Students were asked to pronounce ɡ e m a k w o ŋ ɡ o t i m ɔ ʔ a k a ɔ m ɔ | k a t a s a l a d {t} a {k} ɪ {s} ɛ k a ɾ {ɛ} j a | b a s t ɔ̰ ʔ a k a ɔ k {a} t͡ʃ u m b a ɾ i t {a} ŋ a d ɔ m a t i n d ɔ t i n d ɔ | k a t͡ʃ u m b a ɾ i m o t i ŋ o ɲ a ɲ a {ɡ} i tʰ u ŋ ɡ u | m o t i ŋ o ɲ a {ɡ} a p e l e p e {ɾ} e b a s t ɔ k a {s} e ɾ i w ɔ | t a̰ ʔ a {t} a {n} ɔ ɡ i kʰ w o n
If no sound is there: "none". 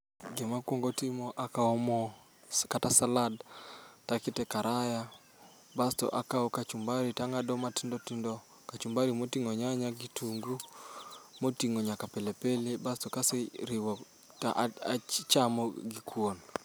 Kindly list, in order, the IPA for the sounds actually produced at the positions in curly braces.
t, k, t, a, a, a, ɡ, k, l, s, t͡ʃ, m

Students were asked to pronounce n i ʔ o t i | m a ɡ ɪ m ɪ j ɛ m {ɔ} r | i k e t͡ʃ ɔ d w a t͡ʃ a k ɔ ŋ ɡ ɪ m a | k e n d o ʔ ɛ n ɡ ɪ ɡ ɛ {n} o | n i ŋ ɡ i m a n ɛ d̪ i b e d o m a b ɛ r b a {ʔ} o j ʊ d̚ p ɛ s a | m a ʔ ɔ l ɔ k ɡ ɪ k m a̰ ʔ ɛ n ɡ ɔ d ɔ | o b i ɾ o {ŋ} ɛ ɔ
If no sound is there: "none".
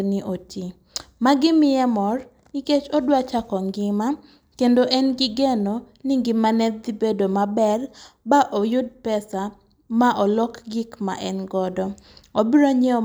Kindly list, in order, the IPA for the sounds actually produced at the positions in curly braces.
ɔ, n, ʔ, ɲ

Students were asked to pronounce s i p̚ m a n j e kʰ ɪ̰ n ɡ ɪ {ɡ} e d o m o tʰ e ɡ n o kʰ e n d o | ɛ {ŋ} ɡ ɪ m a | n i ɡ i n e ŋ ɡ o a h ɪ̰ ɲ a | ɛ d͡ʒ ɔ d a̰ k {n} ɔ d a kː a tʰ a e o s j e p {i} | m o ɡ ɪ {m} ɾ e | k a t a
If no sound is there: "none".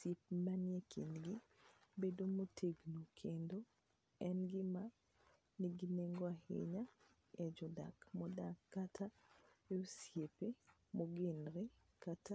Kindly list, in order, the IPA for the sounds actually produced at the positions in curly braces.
b, n, m, e, n

